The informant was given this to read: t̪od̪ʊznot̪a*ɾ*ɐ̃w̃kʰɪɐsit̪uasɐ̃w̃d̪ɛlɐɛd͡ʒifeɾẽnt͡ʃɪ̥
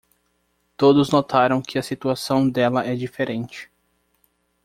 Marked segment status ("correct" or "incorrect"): correct